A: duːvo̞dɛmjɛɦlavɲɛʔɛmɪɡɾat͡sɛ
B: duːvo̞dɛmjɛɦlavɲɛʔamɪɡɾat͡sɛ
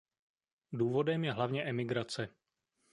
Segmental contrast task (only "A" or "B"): A